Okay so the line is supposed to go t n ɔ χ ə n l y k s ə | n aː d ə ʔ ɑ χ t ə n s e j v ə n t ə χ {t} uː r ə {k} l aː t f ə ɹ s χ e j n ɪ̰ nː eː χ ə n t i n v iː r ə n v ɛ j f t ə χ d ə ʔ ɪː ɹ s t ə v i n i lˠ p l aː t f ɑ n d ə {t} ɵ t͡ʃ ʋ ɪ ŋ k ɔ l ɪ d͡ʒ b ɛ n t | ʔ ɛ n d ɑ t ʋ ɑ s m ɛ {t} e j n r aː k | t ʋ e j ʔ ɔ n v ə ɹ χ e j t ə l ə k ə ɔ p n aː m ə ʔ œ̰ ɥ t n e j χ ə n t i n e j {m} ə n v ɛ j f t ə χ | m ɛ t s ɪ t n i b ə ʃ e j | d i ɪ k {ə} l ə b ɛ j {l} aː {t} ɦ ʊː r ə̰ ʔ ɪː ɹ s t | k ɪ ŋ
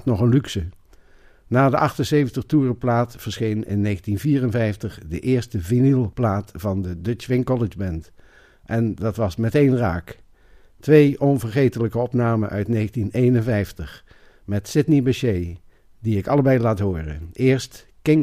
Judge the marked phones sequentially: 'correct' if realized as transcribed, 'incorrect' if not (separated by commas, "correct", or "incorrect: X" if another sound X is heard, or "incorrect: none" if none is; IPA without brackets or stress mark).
correct, incorrect: p, incorrect: d, correct, incorrect: n, incorrect: ɑ, correct, correct